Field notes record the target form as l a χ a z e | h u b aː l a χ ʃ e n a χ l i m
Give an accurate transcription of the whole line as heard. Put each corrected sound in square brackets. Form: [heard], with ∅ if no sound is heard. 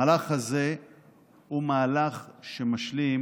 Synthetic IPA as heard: l a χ a z e | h u [m] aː l a χ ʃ e [m] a [ʃ] l i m

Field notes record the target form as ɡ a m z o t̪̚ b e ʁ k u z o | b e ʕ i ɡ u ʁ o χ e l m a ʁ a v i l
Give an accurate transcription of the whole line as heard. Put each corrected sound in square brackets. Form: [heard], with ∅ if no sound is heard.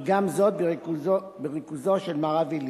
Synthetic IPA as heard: ɡ a m z o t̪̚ b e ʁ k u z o | b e [ʁ] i [k] u [z] o [ʃ] e l m a ʁ a v i l

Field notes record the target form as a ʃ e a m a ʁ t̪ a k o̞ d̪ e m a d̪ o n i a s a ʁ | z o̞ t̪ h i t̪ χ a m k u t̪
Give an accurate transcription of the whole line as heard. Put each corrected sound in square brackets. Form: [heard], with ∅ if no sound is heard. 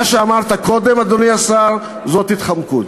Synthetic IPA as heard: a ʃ e a m a ʁ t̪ a k o̞ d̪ e m a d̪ o n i a s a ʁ | z o̞ t̪ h i t̪ χ a m k u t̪

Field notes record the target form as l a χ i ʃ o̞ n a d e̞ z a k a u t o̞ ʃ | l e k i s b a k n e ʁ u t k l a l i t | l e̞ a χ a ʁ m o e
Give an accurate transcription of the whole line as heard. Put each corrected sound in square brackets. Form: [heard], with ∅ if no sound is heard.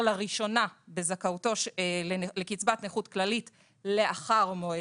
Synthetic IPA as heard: l a [ʁ] i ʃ o̞ n a [b] e̞ z a k a u t o̞ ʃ | l e k i [t͡s] b a [t] n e [χ] u t k l a l i t | l e̞ a χ a ʁ m o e

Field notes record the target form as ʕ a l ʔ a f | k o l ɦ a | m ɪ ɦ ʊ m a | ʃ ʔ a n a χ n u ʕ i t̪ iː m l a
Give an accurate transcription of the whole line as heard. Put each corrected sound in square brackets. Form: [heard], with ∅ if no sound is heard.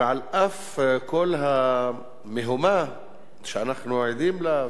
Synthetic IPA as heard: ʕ a l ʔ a f | k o l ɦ a | m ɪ ɦ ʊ m a | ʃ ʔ a n a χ n u ʕ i [d̪] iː m l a

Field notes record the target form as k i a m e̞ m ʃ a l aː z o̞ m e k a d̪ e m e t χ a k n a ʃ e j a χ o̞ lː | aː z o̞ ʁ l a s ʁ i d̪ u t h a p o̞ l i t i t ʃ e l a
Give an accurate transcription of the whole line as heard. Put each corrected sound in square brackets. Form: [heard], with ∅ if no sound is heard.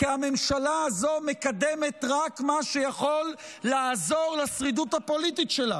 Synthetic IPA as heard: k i a m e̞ m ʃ a l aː z o̞ m e k a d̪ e m e t [ʁ] a k [m] a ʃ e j a χ o̞ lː | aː z o̞ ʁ l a s ʁ i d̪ u t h a p o̞ l i t i t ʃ e l a

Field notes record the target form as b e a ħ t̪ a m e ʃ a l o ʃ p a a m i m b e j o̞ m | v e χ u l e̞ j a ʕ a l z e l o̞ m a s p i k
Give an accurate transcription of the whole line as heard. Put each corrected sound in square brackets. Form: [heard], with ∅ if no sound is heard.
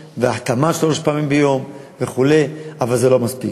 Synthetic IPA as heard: [v] e a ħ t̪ a m [a] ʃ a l o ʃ p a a m i m b e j o̞ m | v e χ u l e̞ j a [v] a l z e l o̞ m a s p i k

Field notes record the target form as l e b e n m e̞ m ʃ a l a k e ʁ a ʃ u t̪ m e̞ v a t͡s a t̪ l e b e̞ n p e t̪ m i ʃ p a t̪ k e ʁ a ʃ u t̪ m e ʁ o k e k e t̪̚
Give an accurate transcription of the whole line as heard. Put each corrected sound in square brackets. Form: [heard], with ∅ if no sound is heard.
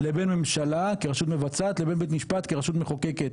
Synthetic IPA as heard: l e b e n m e̞ m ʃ a l a k e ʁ a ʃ u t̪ m e̞ v a t͡s a t̪ l e b e̞ n [b] e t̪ m i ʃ p a t̪ k e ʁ a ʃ u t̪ m e [χ] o k e k e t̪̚

